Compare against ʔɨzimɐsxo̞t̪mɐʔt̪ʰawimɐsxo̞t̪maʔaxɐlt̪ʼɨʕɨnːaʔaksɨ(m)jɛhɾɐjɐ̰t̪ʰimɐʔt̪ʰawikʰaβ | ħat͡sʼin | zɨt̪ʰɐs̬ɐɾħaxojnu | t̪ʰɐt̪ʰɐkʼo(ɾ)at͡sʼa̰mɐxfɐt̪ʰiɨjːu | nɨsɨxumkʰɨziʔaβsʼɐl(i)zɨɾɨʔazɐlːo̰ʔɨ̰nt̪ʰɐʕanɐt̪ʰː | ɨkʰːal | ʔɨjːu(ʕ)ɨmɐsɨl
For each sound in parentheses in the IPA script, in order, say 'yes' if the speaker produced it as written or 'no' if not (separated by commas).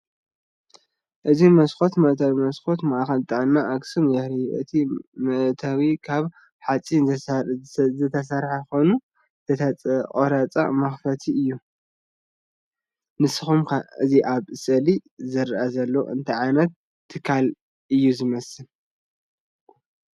yes, yes, yes, no